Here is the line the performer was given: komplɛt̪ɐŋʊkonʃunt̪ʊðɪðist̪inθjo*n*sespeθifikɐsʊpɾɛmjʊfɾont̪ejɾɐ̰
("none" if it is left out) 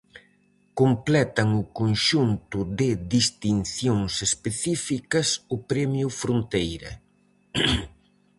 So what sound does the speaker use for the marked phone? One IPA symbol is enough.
ŋ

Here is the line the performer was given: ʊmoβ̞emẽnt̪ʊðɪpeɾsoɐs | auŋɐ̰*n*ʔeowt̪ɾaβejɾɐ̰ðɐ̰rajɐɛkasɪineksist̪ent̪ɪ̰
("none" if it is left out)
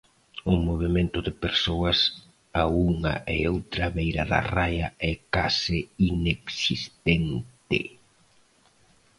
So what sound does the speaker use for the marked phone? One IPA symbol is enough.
none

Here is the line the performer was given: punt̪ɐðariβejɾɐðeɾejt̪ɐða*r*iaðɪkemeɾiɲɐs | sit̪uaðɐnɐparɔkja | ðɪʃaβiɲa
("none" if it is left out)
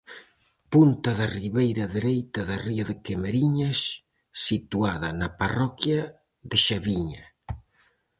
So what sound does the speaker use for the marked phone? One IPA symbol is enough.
r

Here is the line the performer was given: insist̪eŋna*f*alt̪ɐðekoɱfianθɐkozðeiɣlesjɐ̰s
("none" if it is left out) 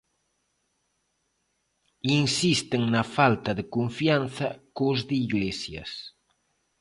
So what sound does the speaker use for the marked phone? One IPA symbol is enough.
f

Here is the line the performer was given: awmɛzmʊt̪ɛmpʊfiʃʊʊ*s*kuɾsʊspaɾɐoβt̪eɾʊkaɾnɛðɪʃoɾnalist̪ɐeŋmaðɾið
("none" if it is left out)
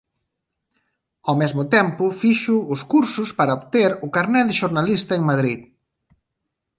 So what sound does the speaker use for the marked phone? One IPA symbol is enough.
s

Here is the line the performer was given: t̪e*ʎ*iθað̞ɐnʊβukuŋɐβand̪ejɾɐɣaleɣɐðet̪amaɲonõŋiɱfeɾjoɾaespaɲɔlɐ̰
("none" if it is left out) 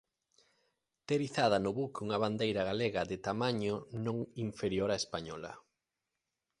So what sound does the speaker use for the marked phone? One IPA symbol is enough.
ɾ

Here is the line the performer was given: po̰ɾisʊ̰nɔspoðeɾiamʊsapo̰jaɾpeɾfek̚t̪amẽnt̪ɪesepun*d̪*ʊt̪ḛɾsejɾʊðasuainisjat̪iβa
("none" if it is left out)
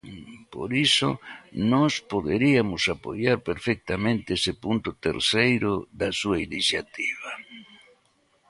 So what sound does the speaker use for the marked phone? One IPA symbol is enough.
t̪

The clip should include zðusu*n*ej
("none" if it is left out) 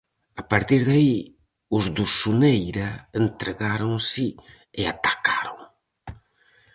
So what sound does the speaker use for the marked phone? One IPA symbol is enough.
n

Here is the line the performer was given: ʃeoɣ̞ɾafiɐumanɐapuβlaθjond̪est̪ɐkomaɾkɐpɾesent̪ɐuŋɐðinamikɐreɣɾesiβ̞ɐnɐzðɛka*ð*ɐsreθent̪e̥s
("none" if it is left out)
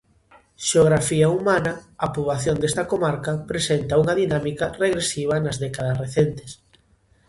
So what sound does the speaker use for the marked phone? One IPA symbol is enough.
ð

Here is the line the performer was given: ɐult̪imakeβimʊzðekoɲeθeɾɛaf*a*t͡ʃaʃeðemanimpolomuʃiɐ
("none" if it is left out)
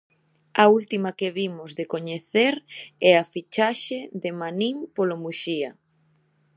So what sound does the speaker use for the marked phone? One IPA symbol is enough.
i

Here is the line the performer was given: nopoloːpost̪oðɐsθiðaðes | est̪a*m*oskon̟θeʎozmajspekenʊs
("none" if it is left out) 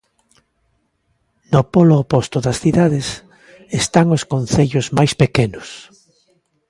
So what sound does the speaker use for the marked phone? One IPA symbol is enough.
ŋ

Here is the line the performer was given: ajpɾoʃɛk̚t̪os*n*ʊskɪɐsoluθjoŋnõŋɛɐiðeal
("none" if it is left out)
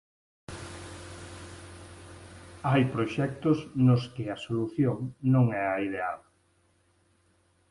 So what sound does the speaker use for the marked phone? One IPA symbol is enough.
n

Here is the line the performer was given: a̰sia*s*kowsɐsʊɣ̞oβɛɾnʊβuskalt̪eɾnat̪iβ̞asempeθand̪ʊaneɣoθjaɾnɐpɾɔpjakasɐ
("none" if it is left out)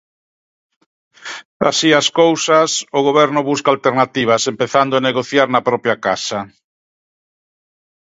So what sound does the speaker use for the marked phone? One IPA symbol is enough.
s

